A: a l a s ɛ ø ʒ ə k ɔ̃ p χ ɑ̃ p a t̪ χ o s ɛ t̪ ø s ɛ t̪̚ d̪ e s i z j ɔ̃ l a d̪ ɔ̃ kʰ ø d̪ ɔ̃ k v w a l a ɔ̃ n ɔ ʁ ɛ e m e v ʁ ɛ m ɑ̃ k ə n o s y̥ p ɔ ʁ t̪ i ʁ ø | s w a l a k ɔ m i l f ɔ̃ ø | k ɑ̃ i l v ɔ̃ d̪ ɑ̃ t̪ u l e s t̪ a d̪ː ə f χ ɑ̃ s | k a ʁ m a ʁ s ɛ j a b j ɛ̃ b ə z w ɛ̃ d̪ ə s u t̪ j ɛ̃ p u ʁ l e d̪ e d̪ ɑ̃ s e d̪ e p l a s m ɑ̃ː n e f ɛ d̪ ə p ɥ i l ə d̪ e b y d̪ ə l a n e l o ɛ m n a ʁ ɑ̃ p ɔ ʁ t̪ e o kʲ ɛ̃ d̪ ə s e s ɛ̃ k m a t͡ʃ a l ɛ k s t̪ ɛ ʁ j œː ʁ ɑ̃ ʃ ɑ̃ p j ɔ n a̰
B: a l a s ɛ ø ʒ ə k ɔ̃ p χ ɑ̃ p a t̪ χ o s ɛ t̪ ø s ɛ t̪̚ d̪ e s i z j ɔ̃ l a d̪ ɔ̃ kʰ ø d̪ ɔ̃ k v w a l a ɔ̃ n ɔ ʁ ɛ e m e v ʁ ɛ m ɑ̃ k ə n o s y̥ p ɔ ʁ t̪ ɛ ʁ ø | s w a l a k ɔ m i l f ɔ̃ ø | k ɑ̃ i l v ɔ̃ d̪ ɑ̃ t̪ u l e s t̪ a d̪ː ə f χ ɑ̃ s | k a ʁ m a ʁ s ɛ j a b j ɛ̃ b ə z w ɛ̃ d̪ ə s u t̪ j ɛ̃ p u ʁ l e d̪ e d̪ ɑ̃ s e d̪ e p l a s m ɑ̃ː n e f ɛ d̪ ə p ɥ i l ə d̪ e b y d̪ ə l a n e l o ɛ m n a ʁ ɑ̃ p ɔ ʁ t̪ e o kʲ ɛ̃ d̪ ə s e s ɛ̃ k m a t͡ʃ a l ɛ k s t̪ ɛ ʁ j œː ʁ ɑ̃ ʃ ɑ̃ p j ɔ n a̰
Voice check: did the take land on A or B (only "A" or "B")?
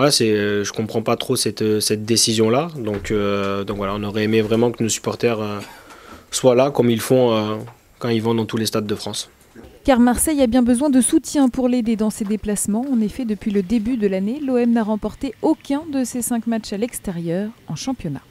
B